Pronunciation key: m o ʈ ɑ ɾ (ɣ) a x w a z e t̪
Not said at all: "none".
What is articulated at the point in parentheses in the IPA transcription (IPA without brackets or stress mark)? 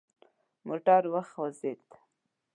w